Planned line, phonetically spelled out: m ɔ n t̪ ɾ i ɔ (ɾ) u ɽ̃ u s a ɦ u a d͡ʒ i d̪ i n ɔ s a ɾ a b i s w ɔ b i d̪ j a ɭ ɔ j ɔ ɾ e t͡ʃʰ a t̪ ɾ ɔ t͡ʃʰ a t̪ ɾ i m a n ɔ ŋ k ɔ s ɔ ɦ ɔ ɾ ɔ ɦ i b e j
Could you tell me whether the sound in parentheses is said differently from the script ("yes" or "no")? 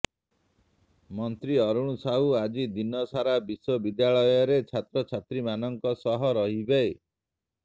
no